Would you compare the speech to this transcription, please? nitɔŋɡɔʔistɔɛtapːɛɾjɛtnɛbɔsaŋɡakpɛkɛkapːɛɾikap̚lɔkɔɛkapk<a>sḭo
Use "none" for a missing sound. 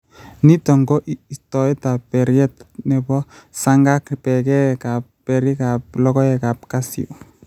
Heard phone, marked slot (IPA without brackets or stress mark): a